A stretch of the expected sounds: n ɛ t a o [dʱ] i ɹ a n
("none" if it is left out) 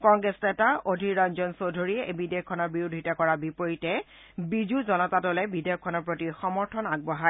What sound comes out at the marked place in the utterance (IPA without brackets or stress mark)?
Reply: dʱ